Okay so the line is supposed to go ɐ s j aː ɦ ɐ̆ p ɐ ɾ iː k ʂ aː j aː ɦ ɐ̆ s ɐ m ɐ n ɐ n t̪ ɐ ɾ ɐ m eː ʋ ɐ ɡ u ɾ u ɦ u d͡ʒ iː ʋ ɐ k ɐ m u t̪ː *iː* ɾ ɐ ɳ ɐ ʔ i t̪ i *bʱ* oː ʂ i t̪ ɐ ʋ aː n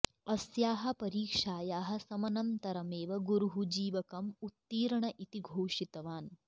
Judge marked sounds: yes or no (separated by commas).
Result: yes, no